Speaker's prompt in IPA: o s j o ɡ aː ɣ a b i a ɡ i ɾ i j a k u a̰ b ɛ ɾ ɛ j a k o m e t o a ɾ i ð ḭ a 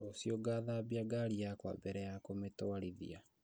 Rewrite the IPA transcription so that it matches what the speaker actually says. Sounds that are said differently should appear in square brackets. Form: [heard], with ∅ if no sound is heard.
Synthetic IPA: o s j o ɡ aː [ð] a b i a ɡ [a] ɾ i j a k [w] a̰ b ɛ ɾ ɛ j a k o m e t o a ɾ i ð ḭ a